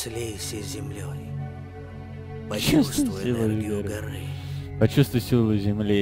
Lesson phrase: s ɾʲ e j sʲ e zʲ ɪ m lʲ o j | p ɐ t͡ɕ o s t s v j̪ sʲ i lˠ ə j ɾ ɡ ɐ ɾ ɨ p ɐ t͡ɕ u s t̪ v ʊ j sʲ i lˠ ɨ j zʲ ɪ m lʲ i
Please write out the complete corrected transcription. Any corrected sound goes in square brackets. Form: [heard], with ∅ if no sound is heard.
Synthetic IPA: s [lʲ] e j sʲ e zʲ ɪ m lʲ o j | p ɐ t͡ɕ [u] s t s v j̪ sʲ i lˠ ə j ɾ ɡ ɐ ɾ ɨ p ɐ t͡ɕ u s t̪ v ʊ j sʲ i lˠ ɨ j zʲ ɪ m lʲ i